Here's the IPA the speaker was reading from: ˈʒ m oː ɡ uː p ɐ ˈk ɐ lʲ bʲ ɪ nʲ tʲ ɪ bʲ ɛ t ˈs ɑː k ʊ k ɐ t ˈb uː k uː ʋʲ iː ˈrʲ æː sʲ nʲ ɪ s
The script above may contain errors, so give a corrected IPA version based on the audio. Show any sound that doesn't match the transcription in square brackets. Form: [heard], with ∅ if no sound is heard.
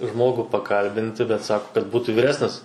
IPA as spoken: ˈʒ m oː ɡ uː p ɐ ˈk ɐ lʲ bʲ ɪ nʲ tʲ ɪ bʲ ɛ t ˈs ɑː k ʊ k ɐ t ˈb uː [t] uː ʋʲ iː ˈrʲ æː sʲ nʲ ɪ s